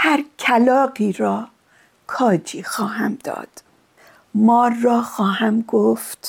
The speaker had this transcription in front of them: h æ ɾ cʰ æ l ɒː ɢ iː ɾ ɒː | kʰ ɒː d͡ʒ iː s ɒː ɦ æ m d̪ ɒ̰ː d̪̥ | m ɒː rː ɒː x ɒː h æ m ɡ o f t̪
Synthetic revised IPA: h æ ɾ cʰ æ l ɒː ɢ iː ɾ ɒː | kʰ ɒː d͡ʒ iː x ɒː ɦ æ m d̪ ɒ̰ː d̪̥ | m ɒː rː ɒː x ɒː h æ m ɡ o f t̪